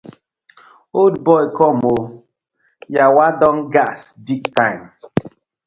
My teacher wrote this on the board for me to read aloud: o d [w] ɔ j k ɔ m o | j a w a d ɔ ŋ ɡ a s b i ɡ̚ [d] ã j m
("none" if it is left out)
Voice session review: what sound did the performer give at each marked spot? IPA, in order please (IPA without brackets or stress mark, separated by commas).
b, t